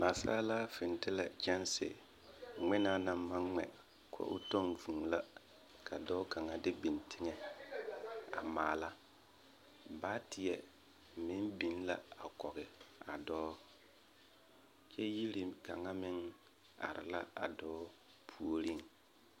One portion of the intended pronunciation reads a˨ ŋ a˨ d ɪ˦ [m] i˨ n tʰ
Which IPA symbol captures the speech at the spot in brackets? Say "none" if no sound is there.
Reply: b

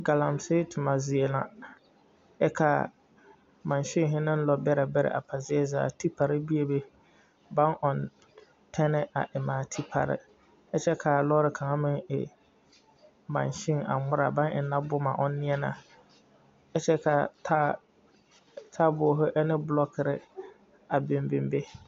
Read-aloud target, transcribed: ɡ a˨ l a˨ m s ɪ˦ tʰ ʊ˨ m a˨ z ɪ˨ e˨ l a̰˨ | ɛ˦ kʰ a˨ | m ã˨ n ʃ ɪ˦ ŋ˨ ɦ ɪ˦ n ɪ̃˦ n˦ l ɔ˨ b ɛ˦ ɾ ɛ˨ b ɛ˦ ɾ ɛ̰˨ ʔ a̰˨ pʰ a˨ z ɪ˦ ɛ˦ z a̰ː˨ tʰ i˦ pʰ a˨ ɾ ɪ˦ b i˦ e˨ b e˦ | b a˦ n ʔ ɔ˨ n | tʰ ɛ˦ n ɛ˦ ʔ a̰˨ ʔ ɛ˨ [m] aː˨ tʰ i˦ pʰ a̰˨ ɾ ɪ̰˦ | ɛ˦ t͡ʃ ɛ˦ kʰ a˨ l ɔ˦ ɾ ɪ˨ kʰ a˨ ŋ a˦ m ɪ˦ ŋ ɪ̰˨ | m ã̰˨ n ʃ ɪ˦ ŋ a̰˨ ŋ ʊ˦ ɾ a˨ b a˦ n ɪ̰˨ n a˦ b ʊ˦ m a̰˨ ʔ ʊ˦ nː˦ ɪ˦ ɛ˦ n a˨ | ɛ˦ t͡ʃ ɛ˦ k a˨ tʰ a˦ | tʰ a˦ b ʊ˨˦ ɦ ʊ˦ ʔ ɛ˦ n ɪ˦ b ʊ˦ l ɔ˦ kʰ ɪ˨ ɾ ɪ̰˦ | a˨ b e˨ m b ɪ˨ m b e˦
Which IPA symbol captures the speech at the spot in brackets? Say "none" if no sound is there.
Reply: m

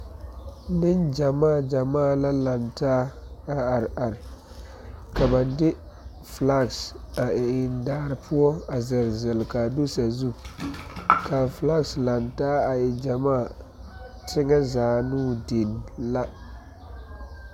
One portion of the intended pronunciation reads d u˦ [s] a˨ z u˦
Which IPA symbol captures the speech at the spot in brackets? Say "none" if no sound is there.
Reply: s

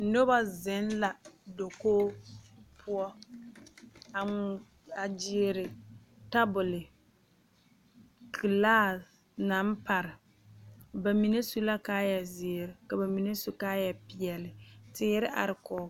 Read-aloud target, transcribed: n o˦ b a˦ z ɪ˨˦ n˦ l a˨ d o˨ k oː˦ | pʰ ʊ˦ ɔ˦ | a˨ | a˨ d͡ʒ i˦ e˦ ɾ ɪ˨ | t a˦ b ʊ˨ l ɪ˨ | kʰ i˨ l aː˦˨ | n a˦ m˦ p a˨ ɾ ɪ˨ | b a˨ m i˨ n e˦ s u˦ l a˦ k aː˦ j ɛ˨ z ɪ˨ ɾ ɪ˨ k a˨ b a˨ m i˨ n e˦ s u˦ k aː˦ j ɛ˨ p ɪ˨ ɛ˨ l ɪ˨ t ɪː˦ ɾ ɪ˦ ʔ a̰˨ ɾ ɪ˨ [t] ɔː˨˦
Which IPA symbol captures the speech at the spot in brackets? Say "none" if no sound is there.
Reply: k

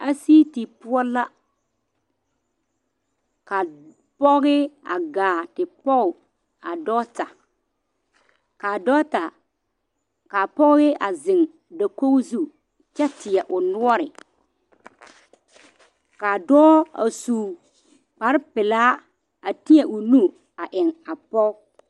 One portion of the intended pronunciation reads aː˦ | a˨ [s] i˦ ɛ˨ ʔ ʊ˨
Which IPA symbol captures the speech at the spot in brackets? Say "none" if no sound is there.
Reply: t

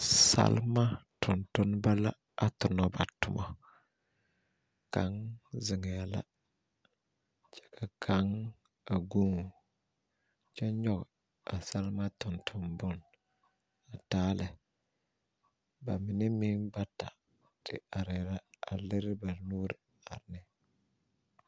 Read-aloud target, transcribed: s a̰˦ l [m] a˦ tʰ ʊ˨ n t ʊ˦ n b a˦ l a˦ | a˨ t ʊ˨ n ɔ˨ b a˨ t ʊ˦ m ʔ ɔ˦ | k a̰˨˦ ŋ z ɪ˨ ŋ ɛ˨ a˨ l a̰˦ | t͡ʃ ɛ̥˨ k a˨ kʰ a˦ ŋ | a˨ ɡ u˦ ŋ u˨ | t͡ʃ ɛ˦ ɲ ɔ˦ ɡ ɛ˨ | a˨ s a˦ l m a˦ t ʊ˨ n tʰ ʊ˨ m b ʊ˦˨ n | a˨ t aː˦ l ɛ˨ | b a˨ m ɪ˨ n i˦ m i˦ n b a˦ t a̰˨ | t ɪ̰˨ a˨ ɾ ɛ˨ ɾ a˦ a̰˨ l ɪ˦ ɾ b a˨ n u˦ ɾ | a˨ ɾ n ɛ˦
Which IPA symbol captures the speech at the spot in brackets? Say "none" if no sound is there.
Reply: m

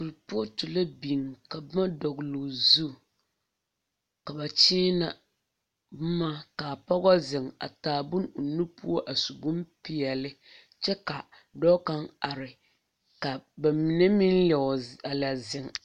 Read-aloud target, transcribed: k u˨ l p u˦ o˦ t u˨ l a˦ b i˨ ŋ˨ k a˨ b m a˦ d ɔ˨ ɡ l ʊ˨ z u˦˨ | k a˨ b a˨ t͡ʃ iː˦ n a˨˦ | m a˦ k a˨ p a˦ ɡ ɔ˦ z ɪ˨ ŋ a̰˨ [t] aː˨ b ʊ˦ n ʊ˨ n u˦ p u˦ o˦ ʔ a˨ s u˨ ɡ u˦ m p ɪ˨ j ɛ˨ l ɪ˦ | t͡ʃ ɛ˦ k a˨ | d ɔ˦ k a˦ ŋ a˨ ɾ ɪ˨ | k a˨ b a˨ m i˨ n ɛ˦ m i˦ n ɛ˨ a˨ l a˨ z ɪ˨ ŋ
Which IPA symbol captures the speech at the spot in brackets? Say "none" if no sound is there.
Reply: t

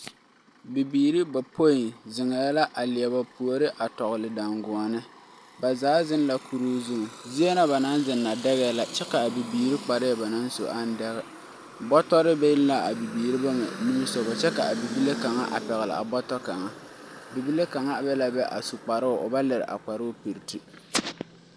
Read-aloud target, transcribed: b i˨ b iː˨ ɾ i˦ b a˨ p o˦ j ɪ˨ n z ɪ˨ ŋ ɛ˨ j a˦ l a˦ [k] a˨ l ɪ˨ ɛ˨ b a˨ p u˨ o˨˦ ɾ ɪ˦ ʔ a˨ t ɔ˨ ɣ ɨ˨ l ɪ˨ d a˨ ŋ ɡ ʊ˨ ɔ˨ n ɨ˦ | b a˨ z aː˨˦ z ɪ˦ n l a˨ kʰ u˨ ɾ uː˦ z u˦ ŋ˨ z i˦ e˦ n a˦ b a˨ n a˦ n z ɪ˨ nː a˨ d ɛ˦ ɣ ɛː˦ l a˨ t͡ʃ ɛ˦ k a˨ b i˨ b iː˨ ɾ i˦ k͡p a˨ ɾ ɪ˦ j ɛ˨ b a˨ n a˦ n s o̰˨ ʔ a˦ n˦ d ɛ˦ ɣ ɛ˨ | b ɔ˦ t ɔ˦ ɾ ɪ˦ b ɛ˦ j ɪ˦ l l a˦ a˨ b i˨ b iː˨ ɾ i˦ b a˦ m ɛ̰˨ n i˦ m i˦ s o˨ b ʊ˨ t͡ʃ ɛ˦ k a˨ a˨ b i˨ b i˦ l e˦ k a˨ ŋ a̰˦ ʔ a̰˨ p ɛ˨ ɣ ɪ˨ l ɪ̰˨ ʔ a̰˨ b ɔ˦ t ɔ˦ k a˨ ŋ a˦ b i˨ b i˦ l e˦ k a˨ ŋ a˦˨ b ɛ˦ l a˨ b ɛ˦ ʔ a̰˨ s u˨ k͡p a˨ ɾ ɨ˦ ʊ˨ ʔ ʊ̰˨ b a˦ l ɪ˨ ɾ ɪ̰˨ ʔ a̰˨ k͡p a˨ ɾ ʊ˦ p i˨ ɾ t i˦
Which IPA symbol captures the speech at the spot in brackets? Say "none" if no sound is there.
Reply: ʔ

